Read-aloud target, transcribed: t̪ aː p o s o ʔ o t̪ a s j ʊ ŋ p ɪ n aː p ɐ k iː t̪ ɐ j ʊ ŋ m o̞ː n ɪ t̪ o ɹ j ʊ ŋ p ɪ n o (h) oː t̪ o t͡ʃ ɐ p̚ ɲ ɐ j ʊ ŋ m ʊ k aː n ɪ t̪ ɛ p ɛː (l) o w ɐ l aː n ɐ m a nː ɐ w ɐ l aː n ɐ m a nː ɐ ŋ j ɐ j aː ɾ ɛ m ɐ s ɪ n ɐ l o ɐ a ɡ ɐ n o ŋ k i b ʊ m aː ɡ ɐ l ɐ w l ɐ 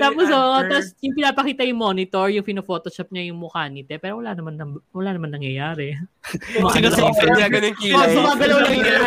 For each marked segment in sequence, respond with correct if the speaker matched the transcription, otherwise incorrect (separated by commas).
incorrect, incorrect